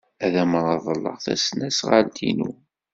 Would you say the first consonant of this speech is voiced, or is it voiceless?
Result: voiced